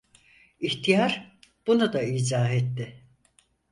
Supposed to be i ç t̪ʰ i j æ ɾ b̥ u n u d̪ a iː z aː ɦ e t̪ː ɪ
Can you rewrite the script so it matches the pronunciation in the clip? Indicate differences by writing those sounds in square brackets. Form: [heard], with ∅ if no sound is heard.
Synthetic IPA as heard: i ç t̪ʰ i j [a] ɾ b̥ u n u d̪ a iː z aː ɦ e t̪ː ɪ

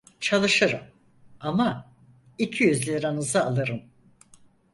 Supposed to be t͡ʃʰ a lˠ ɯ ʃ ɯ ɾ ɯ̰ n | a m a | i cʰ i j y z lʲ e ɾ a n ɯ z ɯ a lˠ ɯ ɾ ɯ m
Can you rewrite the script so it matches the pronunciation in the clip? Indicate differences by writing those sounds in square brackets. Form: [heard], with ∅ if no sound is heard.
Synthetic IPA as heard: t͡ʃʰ a lˠ ɯ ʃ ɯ ɾ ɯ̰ [m] | a m a | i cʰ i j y z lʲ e ɾ a n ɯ z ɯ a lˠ ɯ ɾ ɯ m

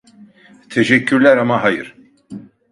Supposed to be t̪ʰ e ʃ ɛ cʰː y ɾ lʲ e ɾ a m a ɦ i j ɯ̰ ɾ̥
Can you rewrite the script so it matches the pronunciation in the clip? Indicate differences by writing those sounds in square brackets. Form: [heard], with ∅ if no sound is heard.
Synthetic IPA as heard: t̪ʰ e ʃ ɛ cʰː y ɾ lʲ [æ] ɾ a m a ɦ [a] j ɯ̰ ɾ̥

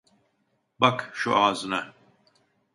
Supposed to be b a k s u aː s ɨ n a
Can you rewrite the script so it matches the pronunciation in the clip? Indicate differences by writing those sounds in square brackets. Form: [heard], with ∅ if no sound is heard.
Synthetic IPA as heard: b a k [ʃ] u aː [z] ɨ n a

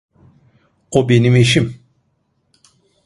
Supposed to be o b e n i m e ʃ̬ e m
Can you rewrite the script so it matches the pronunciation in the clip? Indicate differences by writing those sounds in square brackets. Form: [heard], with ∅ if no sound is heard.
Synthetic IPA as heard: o b e n i m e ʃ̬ [i] m

